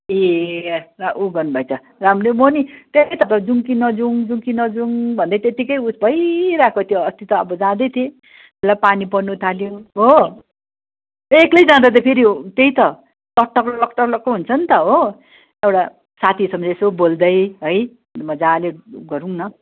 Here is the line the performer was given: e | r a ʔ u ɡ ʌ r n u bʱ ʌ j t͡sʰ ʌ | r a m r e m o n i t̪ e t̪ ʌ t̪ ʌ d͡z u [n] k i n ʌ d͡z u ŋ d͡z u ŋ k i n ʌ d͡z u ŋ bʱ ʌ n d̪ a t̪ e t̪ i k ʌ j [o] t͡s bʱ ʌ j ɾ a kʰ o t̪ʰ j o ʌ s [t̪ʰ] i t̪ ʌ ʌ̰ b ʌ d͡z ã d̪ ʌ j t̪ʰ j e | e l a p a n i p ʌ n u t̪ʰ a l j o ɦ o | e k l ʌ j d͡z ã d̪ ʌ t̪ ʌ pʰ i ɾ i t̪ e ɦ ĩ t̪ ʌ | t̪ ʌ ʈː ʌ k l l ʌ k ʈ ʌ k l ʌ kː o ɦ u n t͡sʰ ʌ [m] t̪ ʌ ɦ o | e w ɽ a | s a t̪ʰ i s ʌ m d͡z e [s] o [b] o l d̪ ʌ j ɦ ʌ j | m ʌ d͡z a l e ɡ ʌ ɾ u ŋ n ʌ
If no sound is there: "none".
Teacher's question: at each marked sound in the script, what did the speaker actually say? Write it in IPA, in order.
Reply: ŋ, u, t̪, n, s, b

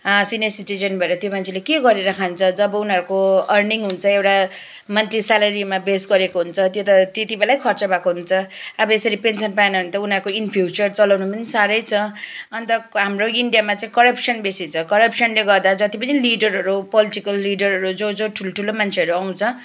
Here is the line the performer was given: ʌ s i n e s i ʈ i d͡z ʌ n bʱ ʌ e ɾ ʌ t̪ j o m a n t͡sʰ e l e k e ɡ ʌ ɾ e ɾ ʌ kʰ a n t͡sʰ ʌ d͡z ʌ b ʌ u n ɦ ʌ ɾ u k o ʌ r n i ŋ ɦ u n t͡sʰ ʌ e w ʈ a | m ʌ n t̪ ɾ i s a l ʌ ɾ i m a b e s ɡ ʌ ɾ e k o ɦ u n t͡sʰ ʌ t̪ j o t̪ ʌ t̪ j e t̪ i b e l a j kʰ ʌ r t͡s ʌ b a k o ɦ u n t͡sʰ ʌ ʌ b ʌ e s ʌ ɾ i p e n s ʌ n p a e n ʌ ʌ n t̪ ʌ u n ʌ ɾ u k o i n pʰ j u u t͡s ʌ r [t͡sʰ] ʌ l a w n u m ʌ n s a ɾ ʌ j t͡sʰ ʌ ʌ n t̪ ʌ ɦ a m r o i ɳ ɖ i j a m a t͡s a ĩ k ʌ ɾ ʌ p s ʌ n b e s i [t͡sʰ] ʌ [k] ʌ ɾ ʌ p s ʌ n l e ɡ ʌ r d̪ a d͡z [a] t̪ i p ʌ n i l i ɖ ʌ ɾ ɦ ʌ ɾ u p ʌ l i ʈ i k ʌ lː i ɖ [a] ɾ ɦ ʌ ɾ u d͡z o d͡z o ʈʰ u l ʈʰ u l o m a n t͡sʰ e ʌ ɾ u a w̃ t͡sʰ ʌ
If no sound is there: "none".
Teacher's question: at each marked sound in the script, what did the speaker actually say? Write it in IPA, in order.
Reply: t͡s, t͡sʰ, k, ʌ, ʌ

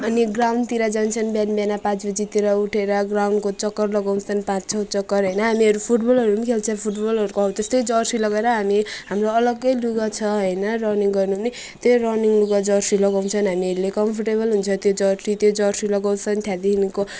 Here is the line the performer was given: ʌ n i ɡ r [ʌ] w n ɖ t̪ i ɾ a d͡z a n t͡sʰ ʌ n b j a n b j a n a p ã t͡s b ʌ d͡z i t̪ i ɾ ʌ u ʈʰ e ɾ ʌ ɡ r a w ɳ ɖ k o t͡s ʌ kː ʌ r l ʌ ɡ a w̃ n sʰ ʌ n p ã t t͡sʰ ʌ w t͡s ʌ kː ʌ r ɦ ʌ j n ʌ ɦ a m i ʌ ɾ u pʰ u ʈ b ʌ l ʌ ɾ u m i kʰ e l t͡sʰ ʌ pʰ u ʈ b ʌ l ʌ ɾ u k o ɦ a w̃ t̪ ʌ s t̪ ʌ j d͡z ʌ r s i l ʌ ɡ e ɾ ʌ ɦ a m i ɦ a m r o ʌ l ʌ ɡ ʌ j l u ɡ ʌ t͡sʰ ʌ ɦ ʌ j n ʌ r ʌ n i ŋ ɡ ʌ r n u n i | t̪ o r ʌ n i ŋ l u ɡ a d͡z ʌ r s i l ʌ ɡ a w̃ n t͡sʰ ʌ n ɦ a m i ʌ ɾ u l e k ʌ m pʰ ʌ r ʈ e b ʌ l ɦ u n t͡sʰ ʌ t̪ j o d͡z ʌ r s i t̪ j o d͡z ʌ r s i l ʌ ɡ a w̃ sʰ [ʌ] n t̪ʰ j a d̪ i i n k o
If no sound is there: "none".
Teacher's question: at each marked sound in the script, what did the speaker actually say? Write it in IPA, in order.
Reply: a, ʌ

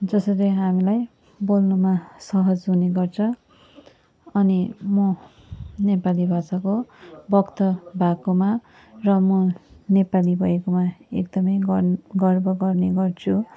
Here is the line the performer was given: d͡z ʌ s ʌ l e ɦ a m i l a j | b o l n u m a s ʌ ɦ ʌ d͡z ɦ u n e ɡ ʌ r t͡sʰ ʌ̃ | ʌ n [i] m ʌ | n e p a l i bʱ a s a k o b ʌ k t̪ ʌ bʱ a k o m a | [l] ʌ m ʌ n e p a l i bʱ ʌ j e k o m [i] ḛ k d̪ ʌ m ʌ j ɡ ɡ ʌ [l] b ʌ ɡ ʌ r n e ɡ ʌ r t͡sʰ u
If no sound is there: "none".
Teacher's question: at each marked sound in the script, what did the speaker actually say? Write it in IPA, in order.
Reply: i, r, a, r

